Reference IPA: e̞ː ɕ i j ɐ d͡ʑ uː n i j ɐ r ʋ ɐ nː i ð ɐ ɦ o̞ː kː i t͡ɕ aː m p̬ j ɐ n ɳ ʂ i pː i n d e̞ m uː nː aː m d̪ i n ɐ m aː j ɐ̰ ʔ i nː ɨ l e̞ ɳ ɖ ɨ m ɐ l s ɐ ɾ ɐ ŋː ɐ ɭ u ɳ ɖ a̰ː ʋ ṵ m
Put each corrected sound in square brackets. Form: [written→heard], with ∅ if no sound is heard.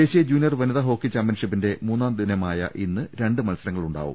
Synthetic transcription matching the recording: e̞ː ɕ i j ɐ d͡ʑ uː n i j ɐ r ʋ ɐ [nː→n] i ð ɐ ɦ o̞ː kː i t͡ɕ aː m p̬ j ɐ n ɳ ʂ i pː i n d e̞ m uː nː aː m d̪ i n ɐ m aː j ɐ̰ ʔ i nː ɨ [l→ɾ] e̞ ɳ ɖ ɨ m ɐ l s ɐ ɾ ɐ ŋː ɐ ɭ u ɳ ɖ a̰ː ʋ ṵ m